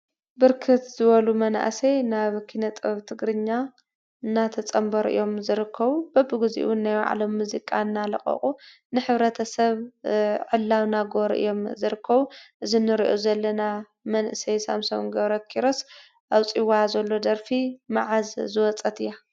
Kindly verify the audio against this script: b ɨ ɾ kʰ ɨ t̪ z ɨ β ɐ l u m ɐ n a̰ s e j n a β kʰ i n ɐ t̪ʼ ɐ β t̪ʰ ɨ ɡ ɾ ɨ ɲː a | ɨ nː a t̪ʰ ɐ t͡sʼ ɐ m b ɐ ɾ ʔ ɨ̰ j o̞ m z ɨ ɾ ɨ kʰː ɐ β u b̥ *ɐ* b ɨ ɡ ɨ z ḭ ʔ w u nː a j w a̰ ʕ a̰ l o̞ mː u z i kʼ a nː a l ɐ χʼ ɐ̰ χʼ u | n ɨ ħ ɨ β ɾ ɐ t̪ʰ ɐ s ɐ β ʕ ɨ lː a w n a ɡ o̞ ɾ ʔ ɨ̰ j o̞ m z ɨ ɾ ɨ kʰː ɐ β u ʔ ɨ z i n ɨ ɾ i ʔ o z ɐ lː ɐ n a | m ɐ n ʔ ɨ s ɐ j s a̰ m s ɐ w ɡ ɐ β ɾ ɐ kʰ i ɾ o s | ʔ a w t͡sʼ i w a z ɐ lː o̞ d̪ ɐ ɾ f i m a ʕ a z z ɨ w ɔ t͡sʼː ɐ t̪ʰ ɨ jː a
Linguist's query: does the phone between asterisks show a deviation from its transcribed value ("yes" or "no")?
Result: no